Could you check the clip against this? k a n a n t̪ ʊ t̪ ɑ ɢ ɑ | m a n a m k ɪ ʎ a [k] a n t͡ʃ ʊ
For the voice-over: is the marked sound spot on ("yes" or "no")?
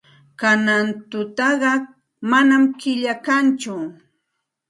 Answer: yes